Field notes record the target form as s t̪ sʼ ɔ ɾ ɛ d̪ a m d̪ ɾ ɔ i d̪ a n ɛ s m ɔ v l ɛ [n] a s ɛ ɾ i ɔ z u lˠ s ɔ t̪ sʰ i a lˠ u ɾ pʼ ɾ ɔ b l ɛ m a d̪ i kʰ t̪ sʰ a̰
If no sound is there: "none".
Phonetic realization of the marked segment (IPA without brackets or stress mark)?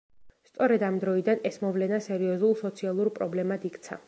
n